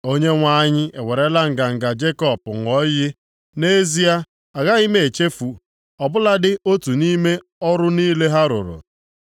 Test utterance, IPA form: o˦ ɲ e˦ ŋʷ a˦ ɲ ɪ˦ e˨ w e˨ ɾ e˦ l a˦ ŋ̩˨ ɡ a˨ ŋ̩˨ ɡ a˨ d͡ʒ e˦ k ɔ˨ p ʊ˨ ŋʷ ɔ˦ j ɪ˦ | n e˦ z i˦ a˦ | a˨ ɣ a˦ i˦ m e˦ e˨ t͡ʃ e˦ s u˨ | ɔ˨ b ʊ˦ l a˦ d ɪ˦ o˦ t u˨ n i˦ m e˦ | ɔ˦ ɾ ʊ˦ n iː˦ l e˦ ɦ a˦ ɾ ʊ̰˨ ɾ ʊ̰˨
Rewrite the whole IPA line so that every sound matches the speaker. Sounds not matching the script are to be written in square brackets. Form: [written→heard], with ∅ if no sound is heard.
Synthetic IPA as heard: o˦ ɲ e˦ ŋʷ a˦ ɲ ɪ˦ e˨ w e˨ ɾ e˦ l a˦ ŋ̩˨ ɡ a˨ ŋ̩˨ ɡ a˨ d͡ʒ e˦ k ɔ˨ p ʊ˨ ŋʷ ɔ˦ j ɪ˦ | n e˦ z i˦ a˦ | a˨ ɣ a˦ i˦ m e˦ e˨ t͡ʃ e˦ [s→f] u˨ | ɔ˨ b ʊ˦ l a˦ d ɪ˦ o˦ t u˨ n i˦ m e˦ | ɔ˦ ɾ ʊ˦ n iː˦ l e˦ ɦ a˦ ɾ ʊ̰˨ ɾ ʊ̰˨